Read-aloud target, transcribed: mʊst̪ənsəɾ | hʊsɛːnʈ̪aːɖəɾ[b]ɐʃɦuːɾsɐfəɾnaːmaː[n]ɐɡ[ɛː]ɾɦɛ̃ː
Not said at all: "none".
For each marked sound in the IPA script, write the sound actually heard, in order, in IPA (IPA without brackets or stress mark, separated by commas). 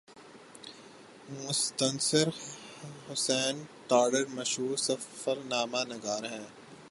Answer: m, n, aː